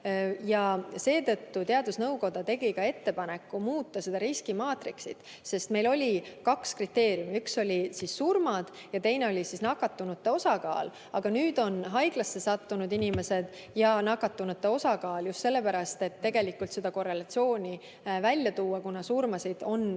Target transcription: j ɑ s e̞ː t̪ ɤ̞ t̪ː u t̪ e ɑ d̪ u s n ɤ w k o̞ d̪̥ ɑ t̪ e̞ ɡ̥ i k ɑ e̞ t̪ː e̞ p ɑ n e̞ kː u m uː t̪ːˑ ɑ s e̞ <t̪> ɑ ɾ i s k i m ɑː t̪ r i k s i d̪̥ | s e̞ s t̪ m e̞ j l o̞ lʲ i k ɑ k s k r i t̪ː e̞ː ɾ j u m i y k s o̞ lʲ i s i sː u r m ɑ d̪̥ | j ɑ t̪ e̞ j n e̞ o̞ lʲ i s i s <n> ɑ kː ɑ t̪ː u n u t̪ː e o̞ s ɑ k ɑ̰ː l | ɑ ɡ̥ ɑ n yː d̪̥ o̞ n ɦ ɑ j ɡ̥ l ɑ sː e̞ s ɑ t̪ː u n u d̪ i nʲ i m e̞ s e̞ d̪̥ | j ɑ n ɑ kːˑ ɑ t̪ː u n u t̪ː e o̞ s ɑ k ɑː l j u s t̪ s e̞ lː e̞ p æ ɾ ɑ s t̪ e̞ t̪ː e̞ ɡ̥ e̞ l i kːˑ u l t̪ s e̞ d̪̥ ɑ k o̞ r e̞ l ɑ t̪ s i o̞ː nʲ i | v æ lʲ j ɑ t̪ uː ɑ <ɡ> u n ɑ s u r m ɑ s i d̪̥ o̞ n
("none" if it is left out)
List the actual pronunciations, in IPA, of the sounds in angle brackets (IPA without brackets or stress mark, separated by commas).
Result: d̪, n, k